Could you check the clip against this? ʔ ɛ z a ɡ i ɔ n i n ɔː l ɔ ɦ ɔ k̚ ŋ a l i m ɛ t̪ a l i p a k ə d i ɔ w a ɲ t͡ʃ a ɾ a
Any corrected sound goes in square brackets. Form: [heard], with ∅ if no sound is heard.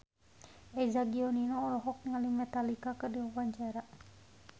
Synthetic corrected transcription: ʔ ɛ z a ɡ i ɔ n i n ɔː l ɔ ɦ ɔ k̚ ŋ a l i m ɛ t̪ a l i [k] a k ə d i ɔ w a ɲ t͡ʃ a ɾ a